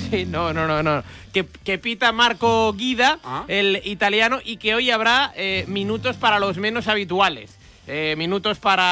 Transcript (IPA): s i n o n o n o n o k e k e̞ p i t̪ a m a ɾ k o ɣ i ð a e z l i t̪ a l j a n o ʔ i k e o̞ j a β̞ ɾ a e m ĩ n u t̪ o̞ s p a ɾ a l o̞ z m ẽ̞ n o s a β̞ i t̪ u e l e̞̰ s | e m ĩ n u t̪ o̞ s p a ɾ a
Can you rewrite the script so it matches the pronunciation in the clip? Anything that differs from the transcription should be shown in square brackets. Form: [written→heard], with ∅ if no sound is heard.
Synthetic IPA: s i n o n o n o n o k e k e̞ p i t̪ a m a ɾ k o ɣ i ð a e [z→∅] l i t̪ a l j a n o ʔ i k e o̞ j a β̞ ɾ a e m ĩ n u t̪ o̞ s p a ɾ a l o̞ z m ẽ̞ n o s a β̞ i t̪ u [e→a] l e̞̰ s | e m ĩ n u t̪ o̞ s p a ɾ a